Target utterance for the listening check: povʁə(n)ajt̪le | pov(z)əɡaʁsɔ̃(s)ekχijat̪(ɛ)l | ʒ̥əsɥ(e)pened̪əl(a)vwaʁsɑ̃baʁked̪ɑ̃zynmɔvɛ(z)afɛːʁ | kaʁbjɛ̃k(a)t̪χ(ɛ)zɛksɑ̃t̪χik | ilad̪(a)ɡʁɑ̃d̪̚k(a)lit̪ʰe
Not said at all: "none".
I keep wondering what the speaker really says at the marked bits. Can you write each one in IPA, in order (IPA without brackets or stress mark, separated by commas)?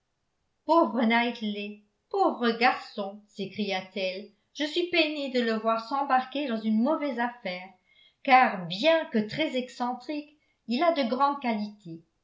n, ʁ, s, ɛ, i, ə, z, ə, ɛ, ə, a